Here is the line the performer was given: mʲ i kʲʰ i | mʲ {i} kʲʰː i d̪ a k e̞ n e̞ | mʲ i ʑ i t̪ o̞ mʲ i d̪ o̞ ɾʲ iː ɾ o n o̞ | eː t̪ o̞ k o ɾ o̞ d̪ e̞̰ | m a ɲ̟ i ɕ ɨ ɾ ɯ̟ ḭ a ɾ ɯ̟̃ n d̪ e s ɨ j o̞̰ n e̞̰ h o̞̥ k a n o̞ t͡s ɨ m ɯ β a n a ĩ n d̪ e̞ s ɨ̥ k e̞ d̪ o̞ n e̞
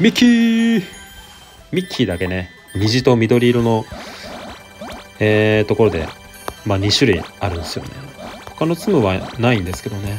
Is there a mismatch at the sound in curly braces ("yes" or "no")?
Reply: no